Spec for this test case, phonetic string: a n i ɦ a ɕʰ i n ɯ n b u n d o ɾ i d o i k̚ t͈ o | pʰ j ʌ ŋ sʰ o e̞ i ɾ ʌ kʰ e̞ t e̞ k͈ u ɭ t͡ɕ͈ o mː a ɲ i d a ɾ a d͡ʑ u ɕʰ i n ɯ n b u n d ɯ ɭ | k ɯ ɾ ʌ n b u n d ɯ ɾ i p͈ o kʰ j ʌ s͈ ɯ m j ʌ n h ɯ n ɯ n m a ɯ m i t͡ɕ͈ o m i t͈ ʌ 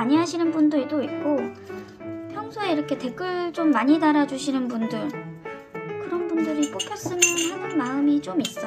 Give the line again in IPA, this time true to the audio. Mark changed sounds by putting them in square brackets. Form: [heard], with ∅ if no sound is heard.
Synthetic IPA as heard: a [ɲ] i ɦ a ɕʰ i n ɯ n b u n d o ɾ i d o i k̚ [k͈] o | pʰ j ʌ ŋ sʰ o e̞ i ɾ ʌ kʰ e̞ t e̞ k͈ [ɯ] ɭ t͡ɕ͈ o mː a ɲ i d a ɾ a d͡ʑ u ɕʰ i n ɯ n b u n d ɯ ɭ | k ɯ ɾ ʌ n b u n d ɯ ɾ i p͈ o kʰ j ʌ s͈ ɯ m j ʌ n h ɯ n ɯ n m a ɯ m i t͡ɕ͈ o m i [s͈] ʌ